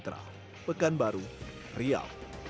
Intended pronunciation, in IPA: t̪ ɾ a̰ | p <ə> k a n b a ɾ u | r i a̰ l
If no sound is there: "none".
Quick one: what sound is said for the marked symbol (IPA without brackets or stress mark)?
ə